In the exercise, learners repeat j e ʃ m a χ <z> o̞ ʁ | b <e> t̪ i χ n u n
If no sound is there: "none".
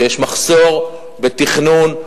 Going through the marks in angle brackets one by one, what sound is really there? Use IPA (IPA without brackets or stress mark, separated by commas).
s, e